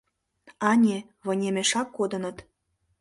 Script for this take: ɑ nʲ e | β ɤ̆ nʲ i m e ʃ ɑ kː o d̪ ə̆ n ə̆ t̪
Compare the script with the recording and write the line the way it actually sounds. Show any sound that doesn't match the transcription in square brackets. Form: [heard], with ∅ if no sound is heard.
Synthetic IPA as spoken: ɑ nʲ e | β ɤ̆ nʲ [e] m e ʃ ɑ kː o d̪ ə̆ n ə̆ t̪